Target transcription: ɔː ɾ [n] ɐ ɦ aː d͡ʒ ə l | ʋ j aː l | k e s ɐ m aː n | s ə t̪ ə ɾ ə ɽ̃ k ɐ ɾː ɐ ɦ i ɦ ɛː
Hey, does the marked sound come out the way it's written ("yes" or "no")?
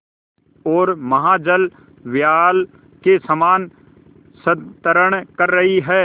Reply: no